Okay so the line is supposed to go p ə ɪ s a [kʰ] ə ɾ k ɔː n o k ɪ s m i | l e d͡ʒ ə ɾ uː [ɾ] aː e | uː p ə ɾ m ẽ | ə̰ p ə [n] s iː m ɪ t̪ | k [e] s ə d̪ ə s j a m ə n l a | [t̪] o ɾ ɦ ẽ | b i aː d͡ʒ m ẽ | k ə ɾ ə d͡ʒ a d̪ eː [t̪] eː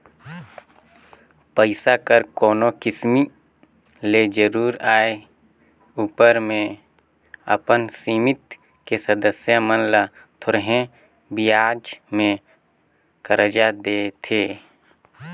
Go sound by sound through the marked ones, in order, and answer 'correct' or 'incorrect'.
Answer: incorrect: k, correct, correct, correct, incorrect: t̪ʰ, incorrect: t̪ʰ

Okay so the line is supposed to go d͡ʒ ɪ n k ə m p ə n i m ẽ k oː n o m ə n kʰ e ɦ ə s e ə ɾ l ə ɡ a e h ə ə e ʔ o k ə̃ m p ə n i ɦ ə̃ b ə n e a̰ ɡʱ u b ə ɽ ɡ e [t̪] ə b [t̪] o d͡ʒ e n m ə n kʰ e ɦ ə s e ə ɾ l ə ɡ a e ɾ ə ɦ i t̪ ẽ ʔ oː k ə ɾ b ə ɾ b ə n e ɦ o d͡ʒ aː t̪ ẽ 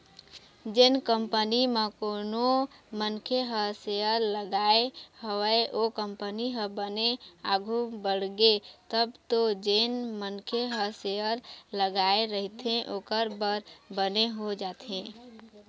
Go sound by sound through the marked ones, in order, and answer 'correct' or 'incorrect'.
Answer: correct, correct

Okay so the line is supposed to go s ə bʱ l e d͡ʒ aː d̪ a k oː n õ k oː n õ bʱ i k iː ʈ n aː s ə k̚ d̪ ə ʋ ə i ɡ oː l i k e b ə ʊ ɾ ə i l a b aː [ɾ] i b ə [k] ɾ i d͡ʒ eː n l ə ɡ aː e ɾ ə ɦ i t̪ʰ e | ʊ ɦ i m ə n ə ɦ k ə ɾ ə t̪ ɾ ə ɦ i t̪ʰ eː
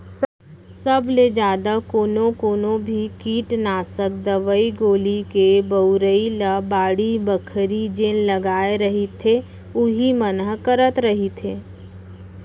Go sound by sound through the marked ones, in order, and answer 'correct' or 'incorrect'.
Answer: incorrect: ɽ, incorrect: kʰ

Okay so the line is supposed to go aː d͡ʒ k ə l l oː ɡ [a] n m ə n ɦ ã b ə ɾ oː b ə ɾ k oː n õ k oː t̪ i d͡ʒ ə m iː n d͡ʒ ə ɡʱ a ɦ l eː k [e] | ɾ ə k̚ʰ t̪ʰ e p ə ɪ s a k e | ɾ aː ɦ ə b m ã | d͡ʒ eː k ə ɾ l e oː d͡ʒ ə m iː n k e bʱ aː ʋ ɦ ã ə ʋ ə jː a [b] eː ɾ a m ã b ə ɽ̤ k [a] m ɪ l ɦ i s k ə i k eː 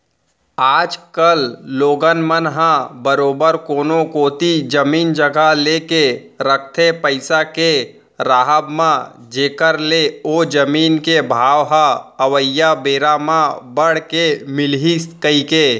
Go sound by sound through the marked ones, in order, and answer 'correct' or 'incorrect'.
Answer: incorrect: ə, correct, correct, incorrect: e

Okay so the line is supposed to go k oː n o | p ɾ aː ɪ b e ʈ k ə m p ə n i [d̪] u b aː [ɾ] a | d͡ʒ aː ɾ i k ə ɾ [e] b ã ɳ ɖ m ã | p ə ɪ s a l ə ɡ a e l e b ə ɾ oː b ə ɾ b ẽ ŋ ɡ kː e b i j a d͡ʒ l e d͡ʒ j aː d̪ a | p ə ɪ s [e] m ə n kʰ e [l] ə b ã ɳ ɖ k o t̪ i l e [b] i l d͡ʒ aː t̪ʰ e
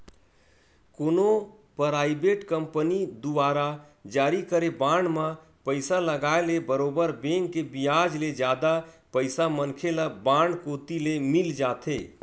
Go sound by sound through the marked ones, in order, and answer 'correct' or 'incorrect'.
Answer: correct, correct, correct, incorrect: a, correct, incorrect: m

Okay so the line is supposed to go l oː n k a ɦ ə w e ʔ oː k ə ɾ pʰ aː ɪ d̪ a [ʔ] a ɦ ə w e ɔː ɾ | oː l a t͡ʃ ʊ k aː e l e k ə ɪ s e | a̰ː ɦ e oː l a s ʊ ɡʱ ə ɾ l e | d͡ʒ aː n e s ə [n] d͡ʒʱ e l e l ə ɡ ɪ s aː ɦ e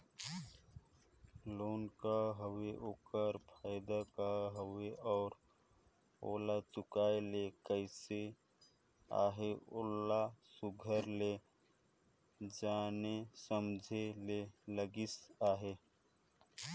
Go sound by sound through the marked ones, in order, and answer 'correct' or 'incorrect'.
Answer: incorrect: k, incorrect: m

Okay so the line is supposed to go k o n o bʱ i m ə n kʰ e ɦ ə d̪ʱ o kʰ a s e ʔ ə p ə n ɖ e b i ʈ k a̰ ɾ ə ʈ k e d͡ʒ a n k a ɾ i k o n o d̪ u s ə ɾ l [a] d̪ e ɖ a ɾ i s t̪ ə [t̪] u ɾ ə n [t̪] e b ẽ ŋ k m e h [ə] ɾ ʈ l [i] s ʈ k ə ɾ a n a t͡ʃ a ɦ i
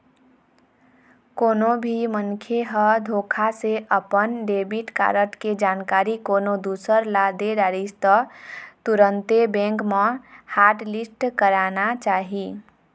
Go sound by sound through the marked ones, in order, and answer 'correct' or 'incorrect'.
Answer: correct, correct, correct, incorrect: a, correct

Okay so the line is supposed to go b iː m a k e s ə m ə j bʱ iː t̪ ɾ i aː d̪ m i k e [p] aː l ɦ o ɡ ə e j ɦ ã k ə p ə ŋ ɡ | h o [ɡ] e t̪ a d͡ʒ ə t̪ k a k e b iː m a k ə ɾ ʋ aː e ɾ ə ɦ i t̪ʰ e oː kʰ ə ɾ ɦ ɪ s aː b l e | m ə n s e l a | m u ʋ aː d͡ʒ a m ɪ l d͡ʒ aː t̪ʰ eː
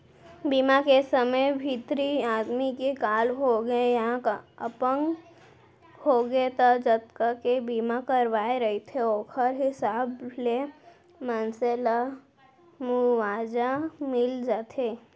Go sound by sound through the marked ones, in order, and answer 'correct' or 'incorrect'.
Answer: incorrect: k, correct

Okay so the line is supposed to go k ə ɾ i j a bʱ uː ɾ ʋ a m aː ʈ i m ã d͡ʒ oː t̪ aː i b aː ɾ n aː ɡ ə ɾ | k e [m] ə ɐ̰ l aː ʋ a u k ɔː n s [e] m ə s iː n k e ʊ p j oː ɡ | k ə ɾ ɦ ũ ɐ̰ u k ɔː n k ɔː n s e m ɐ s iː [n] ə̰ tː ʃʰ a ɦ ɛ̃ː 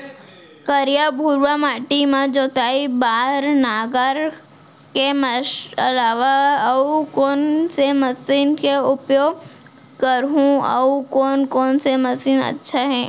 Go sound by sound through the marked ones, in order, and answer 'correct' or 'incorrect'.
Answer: correct, correct, correct

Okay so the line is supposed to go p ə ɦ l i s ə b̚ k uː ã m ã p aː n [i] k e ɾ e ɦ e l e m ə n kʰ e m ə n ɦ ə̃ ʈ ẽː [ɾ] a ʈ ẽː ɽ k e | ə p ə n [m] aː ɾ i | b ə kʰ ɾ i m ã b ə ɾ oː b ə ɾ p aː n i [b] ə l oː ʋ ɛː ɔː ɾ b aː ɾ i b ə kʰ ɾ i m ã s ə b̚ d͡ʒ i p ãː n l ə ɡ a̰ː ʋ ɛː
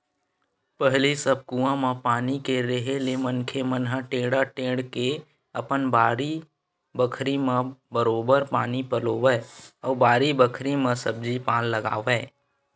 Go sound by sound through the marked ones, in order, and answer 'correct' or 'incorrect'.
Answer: correct, incorrect: ɽ, incorrect: b, incorrect: p

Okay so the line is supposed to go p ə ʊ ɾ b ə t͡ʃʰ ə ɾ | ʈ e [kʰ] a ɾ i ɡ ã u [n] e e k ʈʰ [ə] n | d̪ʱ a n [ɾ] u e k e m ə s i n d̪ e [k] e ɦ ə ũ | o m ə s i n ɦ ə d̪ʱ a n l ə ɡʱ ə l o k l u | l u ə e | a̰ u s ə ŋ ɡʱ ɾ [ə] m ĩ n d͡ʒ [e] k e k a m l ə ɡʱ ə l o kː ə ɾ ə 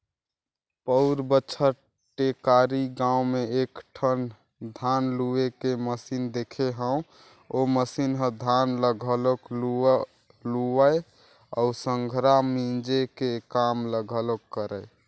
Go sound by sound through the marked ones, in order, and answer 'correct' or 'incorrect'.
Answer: incorrect: k, incorrect: m, correct, incorrect: l, incorrect: kʰ, incorrect: a, correct

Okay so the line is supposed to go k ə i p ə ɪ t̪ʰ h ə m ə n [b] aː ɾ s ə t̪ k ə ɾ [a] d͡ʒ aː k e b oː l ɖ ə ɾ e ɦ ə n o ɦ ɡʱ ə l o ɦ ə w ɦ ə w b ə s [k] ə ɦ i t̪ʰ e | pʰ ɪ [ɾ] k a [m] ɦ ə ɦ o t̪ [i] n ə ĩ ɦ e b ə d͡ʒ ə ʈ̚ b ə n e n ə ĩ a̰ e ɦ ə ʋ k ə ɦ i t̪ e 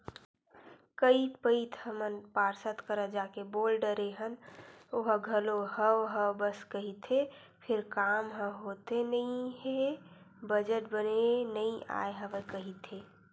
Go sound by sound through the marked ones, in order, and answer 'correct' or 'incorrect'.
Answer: incorrect: p, incorrect: ə, correct, correct, correct, incorrect: e

